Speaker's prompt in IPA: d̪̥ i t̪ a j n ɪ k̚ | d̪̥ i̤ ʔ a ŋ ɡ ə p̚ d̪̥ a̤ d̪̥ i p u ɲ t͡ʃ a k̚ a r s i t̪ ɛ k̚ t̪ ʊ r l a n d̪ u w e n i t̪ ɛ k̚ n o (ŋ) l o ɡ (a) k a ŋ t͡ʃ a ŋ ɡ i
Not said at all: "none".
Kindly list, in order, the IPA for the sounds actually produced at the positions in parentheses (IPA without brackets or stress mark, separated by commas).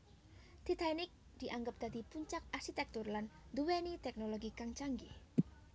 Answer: none, i